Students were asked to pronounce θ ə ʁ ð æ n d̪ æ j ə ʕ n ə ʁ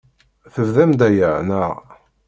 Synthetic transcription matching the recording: θ ə v ð æ m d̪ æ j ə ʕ n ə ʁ